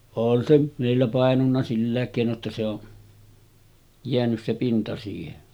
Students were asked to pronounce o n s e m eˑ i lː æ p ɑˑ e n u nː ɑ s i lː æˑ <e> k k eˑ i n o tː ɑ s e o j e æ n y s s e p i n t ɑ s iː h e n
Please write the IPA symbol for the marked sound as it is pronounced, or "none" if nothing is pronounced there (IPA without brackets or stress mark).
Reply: e